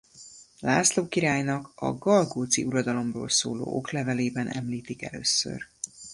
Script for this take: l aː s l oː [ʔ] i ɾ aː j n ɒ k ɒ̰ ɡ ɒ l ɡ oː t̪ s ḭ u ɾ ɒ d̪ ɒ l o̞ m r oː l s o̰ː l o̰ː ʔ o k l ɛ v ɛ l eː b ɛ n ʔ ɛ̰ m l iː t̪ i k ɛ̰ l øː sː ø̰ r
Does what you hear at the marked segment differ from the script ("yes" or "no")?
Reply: yes